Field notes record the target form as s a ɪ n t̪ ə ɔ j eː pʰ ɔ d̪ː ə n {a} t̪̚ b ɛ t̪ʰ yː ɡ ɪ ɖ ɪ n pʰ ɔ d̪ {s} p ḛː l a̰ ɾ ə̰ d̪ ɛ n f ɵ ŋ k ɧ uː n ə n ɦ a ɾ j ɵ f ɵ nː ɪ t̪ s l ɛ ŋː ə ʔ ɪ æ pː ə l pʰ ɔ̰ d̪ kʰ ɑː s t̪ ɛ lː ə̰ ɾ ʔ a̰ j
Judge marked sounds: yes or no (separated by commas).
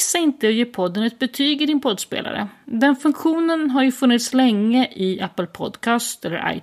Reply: no, yes